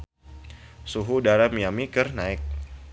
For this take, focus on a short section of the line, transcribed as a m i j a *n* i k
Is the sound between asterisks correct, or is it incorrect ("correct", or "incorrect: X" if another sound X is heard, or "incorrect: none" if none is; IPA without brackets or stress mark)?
incorrect: m